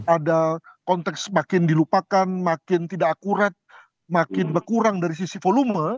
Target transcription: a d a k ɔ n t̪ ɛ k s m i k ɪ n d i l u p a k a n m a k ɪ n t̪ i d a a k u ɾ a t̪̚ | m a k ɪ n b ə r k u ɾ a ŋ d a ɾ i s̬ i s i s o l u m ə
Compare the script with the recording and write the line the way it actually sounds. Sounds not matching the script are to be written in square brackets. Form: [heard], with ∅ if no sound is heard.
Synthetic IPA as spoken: a d a k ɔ n t̪ ɛ k s m [a] k ɪ n d i l u p a k a n m a k ɪ n t̪ i d a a k u ɾ a t̪̚ | m a k ɪ n b ə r k u ɾ a ŋ d a ɾ i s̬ i s i [f] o l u m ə